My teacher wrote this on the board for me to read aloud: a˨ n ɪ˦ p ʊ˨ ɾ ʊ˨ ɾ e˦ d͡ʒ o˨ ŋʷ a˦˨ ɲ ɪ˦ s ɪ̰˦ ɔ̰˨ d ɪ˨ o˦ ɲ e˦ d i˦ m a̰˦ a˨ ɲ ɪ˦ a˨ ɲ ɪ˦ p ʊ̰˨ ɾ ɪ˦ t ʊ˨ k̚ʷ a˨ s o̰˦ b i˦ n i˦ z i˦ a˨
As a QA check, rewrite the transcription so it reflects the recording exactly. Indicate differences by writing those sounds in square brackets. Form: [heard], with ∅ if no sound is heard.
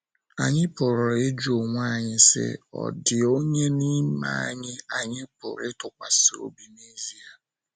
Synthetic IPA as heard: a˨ [ɲ] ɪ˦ p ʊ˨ ɾ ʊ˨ ɾ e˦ d͡ʒ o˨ ŋʷ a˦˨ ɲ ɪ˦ s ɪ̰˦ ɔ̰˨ d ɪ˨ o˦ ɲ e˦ [n] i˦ m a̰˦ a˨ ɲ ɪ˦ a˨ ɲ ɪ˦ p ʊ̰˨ ɾ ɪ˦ t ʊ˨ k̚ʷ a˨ s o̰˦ b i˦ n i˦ z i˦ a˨